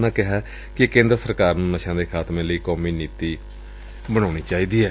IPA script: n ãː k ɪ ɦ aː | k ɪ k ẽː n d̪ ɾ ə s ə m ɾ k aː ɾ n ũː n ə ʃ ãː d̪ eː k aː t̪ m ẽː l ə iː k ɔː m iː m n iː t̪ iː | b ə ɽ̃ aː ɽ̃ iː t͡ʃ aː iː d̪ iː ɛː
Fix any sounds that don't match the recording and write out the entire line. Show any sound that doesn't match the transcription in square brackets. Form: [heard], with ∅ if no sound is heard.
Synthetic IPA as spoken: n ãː k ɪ ɦ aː | k ɪ k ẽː n d̪ ɾ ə s ə [∅] ɾ k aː ɾ n ũː n ə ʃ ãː d̪ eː [kʰ] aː t̪ m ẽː l ə iː k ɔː m iː [∅] n iː t̪ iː | b ə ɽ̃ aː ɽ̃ iː t͡ʃ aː iː d̪ iː ɛː